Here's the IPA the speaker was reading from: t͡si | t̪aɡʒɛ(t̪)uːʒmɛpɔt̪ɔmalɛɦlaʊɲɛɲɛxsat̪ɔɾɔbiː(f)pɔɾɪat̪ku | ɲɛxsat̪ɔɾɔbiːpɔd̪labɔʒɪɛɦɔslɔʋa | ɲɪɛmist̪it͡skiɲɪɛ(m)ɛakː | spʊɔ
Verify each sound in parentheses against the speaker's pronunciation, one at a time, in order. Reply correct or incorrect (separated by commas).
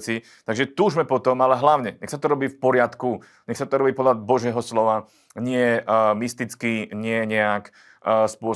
correct, correct, incorrect